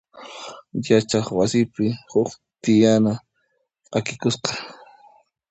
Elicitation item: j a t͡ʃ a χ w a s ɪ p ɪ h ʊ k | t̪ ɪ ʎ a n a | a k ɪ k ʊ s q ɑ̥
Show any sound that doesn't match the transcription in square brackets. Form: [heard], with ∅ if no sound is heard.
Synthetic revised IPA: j a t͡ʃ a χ w a s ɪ p ɪ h ʊ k | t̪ ɪ [j] a n a | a k ɪ k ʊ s q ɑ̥